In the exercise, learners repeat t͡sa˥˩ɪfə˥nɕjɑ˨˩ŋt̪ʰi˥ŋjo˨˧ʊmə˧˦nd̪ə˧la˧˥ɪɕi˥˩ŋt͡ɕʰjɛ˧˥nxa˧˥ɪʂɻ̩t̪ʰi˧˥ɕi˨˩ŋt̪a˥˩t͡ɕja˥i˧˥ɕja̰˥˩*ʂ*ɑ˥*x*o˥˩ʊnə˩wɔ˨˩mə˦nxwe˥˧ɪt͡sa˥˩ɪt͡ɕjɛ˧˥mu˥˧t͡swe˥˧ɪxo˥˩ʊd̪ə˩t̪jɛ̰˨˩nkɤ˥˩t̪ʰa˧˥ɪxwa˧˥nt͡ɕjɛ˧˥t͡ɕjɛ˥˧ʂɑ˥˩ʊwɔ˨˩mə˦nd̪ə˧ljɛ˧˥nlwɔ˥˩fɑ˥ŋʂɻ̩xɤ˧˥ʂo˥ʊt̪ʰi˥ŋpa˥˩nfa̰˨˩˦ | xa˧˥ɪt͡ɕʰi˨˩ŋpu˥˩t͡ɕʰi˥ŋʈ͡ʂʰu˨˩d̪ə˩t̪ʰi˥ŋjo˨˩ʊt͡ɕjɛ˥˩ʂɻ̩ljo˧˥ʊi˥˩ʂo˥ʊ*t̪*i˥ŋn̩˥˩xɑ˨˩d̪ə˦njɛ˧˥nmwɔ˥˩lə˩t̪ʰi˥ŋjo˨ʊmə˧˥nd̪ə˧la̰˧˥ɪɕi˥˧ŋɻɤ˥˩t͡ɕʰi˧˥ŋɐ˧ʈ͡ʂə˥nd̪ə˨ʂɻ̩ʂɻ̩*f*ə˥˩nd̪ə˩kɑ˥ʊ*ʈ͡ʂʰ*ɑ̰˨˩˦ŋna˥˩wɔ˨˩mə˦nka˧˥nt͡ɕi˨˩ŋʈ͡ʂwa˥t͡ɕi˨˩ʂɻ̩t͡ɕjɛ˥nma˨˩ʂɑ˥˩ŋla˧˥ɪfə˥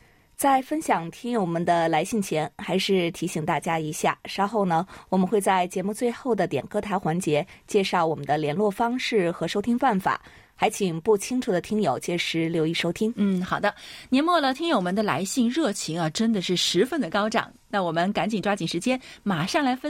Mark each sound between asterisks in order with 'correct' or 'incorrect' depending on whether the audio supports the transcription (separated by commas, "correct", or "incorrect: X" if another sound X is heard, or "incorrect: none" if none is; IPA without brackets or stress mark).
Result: correct, correct, incorrect: t̪ʰ, correct, incorrect: ʈ͡ʂ